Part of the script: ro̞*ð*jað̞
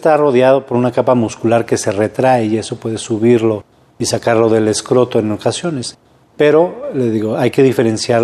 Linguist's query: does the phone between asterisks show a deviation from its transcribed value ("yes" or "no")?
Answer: no